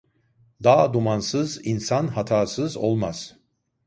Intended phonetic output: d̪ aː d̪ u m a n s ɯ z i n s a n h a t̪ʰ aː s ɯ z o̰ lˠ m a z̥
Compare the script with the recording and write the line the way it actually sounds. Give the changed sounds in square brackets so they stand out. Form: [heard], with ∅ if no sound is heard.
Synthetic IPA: d̪ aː d̪ u m a n s ɯ z i n s a n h a t̪ʰ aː s ɯ z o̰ lˠ m a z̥

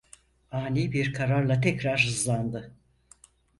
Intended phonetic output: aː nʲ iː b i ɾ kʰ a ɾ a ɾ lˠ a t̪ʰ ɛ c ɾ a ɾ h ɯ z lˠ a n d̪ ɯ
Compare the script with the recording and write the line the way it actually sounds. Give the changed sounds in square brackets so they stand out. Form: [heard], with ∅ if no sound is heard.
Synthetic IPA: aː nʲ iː b i ɾ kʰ a ɾ a ɾ lˠ a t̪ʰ ɛ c ɾ a ɾ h ɯ z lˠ a n d̪ ɯ

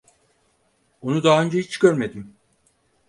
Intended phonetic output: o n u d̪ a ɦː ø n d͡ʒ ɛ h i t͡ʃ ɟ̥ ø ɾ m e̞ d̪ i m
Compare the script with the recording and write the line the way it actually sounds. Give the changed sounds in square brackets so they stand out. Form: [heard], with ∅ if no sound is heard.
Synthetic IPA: o n u d̪ a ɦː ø n d͡ʒ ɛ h i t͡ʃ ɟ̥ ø ɾ m e̞ d̪ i m

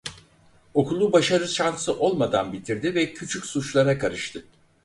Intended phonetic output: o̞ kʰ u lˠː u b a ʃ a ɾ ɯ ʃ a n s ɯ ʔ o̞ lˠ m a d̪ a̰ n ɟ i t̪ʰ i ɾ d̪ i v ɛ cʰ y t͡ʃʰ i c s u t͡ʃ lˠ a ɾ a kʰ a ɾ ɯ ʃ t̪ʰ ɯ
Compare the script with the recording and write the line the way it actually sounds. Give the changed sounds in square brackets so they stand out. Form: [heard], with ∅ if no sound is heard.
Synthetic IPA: o̞ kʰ u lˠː u b a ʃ a ɾ ɯ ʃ a n s ɯ ʔ o̞ lˠ m a d̪ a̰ n [b] i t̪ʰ i ɾ d̪ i v ɛ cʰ y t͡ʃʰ [y] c s u t͡ʃ lˠ a ɾ a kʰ a ɾ ɯ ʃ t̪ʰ ɯ

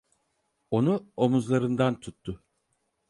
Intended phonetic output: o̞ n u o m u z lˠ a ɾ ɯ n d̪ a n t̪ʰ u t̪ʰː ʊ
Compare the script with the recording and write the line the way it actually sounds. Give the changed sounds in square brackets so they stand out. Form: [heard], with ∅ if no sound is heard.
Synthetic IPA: o̞ n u o m u z lˠ a ɾ ɯ n d̪ a n t̪ʰ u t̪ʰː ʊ

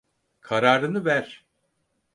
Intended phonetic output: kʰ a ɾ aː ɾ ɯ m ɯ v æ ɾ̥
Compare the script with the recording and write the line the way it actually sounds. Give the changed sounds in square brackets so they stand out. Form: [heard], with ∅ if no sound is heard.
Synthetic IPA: kʰ a ɾ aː ɾ ɯ [n] ɯ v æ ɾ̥

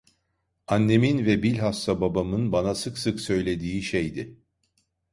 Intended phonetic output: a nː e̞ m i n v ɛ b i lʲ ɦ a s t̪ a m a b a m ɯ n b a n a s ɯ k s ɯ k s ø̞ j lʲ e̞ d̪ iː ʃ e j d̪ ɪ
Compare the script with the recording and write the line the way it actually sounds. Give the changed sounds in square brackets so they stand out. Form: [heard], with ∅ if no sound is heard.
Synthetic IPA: a nː e̞ m i n v ɛ b i lʲ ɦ a s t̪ a [b] a b a m ɯ n b a n a s ɯ k s ɯ k s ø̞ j lʲ e̞ d̪ iː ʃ e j d̪ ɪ

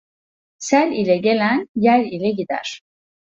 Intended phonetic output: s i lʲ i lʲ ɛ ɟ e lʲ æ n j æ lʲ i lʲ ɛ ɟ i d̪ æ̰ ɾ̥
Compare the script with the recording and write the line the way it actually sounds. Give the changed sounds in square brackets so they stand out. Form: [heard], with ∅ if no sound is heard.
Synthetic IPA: s [æ] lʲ i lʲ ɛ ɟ e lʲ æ n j æ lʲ i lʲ ɛ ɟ i d̪ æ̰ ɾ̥

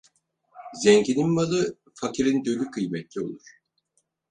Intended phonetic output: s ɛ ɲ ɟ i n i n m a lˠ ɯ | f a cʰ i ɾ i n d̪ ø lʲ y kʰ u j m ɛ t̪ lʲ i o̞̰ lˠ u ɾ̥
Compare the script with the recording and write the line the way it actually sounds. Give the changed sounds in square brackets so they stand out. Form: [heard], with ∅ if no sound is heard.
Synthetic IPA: [z] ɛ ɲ ɟ i n i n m a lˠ ɯ | f a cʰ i ɾ i n d̪ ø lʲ y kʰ [ɯ] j m ɛ t̪ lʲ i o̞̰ lˠ u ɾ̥

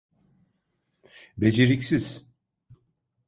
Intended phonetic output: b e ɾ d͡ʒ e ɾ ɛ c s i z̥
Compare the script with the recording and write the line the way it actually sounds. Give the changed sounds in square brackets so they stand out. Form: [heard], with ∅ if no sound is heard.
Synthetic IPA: b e [∅] d͡ʒ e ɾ [i] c s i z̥

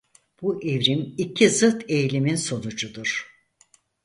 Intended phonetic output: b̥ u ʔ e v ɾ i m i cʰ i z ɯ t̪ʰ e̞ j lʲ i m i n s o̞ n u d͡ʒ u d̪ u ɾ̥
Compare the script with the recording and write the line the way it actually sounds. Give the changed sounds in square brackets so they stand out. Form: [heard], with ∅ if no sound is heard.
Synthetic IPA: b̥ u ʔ e v ɾ i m i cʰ i z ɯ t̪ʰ e̞ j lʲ i m i n s o̞ n u d͡ʒ u d̪ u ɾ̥

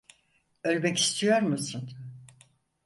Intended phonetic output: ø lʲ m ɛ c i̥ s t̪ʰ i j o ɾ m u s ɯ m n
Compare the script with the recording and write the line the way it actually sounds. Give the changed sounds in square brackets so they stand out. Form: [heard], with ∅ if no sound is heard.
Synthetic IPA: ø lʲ [b] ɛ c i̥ s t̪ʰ i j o ɾ m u s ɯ [∅] n

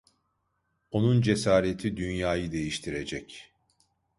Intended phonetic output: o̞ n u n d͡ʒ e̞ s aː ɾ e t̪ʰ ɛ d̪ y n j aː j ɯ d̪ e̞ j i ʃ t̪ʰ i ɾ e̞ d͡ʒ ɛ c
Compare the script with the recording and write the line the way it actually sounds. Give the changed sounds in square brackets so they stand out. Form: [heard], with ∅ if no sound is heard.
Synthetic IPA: o̞ n u n d͡ʒ e̞ s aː ɾ e t̪ʰ [i] d̪ y n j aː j ɯ d̪ e̞ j i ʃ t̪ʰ i ɾ e̞ d͡ʒ ɛ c

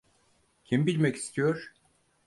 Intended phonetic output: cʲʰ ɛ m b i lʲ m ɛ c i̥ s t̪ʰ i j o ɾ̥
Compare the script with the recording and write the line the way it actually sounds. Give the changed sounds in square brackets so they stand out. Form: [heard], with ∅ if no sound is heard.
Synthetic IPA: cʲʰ [i] m b i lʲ m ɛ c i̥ s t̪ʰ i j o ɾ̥

